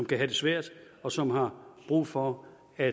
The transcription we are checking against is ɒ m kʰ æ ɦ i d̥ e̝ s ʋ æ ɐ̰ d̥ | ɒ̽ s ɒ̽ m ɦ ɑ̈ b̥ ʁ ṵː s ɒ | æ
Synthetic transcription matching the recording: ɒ m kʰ æ ɦ æ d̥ e̝ s ʋ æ ɐ̰ d̥ | ɒ̽ s ɒ̽ m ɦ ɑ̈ b̥ ʁ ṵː f ɒ | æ